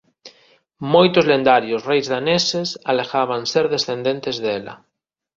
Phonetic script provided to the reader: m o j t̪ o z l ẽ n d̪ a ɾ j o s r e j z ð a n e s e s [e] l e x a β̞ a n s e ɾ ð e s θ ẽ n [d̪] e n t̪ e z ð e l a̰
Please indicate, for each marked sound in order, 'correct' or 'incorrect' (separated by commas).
incorrect, correct